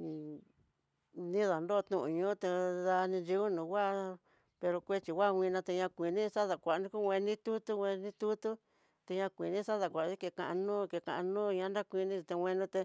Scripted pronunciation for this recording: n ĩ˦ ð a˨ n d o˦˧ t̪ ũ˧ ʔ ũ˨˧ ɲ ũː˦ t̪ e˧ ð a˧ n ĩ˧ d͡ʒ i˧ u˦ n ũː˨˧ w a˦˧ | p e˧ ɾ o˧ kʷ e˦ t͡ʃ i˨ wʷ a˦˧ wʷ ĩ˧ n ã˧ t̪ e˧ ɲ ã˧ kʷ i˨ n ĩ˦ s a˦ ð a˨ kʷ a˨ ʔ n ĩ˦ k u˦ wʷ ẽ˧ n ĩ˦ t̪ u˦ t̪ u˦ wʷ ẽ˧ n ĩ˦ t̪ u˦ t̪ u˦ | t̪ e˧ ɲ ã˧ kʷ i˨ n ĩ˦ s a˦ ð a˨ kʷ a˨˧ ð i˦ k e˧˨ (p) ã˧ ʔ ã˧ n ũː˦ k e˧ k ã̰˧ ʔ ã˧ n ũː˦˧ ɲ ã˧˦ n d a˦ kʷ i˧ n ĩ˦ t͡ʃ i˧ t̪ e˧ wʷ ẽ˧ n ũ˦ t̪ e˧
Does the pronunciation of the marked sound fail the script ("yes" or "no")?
yes